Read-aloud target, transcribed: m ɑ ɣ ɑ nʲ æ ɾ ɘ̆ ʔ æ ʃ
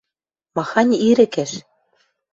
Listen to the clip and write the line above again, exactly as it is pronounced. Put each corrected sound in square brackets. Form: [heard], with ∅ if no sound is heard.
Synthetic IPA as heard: m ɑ [x] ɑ nʲ [i] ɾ ɘ̆ [k] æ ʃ